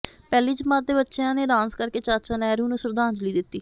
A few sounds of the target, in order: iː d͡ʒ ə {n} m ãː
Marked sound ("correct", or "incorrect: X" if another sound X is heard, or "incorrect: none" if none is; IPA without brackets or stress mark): incorrect: none